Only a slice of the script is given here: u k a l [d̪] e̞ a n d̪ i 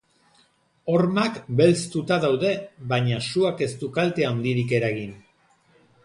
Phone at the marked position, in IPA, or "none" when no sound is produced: t̪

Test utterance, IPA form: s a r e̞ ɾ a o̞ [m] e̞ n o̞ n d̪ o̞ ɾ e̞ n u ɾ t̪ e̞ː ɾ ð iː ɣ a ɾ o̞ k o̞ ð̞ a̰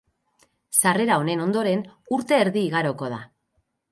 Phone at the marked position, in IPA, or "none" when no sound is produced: n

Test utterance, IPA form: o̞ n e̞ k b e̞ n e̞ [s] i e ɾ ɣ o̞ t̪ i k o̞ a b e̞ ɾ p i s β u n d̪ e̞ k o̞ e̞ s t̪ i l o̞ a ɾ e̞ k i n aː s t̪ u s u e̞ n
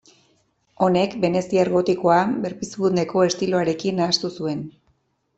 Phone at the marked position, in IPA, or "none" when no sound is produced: s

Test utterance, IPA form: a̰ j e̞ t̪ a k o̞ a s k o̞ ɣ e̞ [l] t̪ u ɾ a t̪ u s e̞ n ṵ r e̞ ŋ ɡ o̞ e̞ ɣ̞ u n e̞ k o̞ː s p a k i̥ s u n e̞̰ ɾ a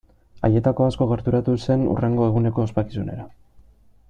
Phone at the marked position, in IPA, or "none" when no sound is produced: ɾ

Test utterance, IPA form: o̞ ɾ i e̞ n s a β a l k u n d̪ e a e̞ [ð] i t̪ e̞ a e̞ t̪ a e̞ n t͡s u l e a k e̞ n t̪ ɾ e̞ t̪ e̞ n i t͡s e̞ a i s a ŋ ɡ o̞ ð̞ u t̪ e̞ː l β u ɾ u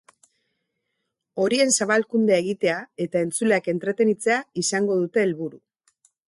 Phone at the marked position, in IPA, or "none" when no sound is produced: ɣ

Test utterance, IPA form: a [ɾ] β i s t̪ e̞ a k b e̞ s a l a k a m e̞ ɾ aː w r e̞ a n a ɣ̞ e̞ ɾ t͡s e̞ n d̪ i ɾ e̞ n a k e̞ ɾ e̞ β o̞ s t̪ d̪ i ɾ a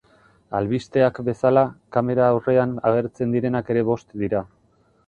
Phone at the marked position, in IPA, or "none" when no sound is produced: l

